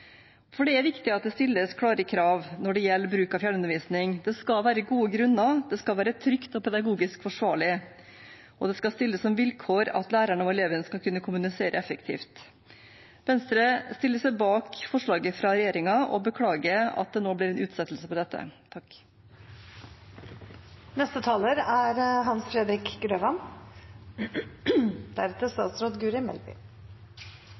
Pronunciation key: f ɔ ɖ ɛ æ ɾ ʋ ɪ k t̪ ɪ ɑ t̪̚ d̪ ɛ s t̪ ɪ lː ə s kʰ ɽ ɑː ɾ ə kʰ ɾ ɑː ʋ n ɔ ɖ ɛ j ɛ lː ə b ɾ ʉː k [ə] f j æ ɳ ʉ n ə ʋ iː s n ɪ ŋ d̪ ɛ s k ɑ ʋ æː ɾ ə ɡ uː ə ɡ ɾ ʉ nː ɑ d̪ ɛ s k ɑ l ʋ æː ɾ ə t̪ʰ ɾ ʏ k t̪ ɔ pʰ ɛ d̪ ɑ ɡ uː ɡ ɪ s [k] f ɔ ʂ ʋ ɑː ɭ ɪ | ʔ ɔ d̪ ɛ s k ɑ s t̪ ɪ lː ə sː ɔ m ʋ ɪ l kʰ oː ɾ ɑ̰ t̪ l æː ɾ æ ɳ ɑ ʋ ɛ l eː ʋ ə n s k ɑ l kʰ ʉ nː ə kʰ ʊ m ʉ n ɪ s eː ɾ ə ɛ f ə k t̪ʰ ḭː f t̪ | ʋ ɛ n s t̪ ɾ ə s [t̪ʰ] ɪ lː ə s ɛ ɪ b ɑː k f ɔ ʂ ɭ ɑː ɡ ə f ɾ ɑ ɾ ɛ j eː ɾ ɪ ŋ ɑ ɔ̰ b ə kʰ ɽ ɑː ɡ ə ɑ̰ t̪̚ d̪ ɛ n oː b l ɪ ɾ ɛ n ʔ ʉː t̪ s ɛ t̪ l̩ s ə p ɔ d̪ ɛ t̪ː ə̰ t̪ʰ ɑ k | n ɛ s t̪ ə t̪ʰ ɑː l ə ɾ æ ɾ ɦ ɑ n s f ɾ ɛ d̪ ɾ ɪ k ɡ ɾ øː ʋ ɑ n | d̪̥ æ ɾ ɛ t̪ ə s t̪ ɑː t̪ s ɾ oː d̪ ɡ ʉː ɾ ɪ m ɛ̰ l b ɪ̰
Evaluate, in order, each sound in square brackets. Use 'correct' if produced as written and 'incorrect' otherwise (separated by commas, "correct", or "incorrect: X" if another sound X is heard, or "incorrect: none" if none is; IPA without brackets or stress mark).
incorrect: ɑ, correct, incorrect: t̪